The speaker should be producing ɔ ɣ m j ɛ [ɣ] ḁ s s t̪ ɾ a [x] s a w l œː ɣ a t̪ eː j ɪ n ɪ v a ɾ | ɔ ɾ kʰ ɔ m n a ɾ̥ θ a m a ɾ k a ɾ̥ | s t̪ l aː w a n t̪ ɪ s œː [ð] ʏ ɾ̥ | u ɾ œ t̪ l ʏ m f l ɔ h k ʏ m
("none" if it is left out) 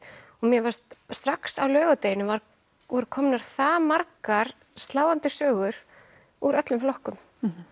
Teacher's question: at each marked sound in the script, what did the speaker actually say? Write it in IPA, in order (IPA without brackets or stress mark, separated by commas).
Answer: v, k, ɣ